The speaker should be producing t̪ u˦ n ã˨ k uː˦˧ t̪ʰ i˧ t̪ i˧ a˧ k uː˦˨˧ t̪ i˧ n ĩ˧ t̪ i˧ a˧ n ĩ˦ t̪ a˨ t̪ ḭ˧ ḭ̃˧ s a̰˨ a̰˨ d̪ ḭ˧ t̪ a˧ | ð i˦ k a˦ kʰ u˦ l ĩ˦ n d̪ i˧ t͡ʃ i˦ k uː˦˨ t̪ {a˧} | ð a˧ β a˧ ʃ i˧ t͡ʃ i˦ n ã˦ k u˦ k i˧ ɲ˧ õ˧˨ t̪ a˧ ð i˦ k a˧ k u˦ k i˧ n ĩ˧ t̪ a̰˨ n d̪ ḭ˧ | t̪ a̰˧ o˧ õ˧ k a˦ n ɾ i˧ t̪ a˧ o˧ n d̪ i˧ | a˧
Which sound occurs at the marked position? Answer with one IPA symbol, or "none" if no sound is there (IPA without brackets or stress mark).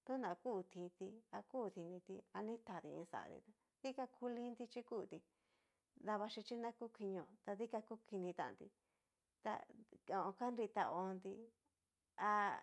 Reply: i˧